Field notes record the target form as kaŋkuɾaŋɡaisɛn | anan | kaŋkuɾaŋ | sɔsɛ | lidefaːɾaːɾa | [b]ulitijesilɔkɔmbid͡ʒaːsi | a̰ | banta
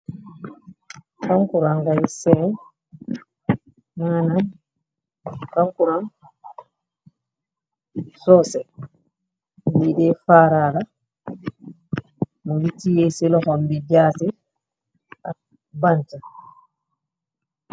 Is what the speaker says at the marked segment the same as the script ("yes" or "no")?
no